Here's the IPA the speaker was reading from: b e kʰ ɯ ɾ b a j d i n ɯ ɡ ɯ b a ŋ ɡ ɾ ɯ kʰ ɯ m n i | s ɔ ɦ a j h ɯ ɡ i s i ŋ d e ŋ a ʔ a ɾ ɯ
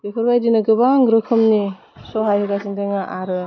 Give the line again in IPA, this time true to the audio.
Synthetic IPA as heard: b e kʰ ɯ ɾ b a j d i n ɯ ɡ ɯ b a ŋ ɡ ɾ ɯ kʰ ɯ m n i | s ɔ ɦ a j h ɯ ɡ a s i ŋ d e ŋ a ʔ a ɾ ɯ